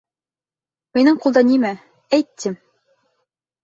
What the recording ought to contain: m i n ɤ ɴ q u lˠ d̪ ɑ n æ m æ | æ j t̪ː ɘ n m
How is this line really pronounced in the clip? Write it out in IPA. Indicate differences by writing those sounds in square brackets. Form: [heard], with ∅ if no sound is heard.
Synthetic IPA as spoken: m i n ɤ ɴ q u lˠ d̪ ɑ n [i] m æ | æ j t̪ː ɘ [∅] m